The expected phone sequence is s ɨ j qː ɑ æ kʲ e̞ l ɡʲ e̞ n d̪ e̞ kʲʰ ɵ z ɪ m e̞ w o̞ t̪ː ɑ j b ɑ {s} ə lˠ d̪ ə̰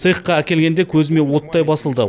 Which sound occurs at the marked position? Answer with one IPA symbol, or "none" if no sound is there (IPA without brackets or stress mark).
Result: s